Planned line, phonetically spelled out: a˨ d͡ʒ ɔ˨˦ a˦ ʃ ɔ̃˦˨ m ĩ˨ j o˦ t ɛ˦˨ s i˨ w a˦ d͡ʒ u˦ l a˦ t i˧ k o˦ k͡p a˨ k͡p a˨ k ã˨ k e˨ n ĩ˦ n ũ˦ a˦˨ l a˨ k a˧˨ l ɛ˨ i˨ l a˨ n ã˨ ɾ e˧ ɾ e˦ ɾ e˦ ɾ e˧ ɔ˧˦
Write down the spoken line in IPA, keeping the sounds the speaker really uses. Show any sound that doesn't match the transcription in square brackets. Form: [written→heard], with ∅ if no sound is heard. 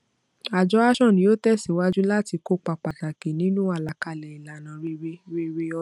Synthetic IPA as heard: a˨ d͡ʒ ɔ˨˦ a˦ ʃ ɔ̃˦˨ [m→n] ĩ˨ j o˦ t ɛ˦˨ s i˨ w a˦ d͡ʒ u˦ l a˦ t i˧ k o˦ k͡p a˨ k͡p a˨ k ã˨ k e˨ n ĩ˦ n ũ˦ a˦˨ l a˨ k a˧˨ l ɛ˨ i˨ l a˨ n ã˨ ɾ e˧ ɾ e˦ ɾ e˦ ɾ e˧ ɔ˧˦